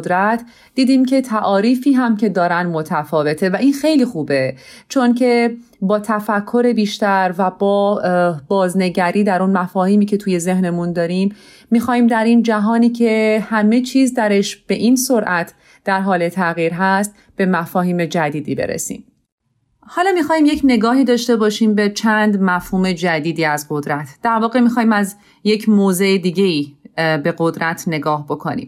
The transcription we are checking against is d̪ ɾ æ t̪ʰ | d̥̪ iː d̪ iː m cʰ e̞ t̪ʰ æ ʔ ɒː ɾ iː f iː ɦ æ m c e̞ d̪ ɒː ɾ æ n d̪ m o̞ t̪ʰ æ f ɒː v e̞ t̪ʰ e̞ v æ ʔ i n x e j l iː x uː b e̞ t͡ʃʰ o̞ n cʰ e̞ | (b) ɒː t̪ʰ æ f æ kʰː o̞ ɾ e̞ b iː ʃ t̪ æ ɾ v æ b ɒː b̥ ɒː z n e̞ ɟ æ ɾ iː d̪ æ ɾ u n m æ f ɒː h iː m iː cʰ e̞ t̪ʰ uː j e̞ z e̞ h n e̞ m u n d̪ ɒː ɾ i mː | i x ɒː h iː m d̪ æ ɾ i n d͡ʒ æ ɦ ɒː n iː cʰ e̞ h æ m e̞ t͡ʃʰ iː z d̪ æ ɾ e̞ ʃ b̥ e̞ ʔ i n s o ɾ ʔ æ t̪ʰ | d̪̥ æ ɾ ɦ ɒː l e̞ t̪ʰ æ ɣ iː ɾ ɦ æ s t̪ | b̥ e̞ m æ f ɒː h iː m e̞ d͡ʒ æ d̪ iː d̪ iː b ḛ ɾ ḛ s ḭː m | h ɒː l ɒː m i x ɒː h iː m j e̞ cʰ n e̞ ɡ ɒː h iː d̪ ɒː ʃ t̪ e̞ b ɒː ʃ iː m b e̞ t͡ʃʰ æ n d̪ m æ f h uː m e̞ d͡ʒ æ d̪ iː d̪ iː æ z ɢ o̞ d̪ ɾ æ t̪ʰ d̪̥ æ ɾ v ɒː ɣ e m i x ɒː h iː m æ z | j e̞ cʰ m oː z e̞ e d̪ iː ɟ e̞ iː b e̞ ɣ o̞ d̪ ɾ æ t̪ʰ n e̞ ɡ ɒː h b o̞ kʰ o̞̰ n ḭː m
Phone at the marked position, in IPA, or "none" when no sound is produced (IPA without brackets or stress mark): b